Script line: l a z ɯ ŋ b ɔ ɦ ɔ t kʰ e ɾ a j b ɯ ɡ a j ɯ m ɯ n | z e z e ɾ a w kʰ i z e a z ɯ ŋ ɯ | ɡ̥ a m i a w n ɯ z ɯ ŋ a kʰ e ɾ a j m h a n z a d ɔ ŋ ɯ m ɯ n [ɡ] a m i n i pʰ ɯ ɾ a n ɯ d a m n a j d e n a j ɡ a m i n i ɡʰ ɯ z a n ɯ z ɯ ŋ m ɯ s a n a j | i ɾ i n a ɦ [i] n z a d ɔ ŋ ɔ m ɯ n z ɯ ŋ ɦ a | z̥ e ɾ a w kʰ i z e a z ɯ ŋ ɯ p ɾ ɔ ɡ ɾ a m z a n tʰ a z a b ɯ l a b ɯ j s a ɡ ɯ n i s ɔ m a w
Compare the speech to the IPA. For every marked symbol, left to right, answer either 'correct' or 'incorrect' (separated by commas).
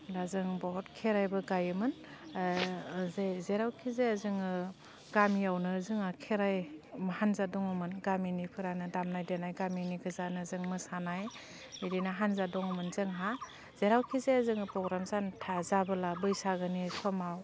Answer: correct, incorrect